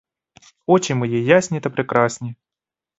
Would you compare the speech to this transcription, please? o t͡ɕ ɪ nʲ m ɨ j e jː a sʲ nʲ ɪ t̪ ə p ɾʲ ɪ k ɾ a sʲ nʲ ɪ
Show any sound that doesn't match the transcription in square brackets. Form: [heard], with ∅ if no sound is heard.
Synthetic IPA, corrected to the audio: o t͡ɕ ɪ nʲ m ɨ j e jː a sʲ nʲ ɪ t̪ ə p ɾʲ ɪ k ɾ a sʲ nʲ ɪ